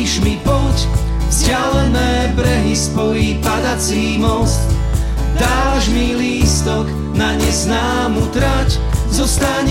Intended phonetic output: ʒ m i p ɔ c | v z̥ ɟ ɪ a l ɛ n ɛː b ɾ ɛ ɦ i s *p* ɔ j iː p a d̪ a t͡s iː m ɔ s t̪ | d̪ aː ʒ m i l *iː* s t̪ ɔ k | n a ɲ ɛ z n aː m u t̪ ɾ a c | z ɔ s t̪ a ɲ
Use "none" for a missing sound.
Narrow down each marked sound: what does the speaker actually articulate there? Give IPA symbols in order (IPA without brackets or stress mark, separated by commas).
p, iː